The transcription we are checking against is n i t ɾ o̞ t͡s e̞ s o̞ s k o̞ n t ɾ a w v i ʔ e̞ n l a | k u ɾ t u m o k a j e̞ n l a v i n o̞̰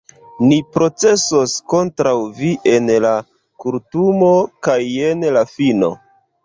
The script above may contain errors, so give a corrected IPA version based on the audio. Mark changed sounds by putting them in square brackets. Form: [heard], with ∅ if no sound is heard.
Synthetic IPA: n i [p] ɾ o̞ t͡s e̞ s o̞ s k o̞ n t ɾ a w v i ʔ e̞ n l a | k u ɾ t u m o k a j e̞ n l a [f] i n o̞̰